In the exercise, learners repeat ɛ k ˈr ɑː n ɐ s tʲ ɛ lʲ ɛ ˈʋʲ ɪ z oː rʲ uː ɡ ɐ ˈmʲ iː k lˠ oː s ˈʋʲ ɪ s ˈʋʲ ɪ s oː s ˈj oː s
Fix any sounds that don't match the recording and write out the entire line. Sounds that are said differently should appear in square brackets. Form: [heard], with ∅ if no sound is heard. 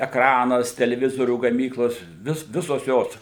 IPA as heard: ɛ k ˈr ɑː n ɐ s tʲ ɛ lʲ ɛ ˈʋʲ ɪ z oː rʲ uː ɡ ɐ ˈmʲ iː k lˠ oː s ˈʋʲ ɪ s ˈʋʲ ɪ s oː s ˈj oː s

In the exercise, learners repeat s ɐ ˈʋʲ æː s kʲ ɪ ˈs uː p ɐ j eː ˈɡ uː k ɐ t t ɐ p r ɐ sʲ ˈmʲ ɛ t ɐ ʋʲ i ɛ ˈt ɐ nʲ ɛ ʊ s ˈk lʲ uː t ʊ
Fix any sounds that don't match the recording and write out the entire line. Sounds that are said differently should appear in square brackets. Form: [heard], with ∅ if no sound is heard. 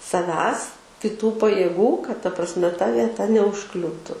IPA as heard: s ɐ ˈʋʲ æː s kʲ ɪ [ˈt] uː p ɐ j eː ˈɡ uː k ɐ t t ɐ p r ɐ sʲ ˈmʲ ɛ t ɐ ʋʲ i ɛ ˈt ɐ nʲ ɛ ʊ [ʃ] ˈk lʲ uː t ʊ

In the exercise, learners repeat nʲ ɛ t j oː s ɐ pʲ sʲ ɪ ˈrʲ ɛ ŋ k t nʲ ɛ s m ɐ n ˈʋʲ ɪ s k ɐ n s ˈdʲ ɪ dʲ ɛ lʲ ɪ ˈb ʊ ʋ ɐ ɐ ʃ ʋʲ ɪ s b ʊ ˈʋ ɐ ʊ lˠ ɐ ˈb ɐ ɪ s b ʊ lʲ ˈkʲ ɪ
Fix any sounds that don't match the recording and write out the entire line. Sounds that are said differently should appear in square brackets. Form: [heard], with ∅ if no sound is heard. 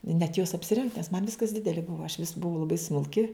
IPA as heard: nʲ ɛ t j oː s ɐ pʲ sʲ ɪ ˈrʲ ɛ ŋ k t nʲ ɛ s m ɐ n ˈʋʲ ɪ s k ɐ [∅] s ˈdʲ ɪ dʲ ɛ lʲ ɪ ˈb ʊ ʋ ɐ ɐ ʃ ʋʲ ɪ s b ʊ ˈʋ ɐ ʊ lˠ ɐ ˈb ɐ ɪ s [m] ʊ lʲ ˈkʲ ɪ

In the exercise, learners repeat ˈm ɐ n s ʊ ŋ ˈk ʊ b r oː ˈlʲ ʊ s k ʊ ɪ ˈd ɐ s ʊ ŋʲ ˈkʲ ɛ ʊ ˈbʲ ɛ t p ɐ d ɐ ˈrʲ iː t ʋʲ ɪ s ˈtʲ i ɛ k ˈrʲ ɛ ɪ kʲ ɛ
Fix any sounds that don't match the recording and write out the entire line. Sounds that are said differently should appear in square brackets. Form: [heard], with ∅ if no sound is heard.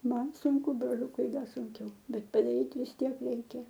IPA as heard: ˈm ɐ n s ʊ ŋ ˈk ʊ b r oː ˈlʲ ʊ [∅] k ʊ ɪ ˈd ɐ s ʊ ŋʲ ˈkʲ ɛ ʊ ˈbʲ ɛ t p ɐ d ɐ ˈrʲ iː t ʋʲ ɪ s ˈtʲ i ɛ k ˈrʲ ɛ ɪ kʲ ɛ

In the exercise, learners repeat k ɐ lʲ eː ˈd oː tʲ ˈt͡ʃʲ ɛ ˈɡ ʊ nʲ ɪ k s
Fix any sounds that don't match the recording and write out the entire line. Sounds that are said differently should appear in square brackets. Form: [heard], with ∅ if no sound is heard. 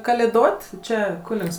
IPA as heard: k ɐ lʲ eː ˈd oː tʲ ˈt͡ʃʲ ɛ [ˈk] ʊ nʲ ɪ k s

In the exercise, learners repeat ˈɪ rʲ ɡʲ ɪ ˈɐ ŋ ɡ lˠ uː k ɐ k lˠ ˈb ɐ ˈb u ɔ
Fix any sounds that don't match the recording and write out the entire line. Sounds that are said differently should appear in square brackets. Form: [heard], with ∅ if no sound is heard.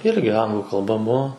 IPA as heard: ˈɪ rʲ ɡʲ ɪ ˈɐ ŋ ɡ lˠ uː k ɐ [∅] lˠ ˈb ɐ ˈb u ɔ

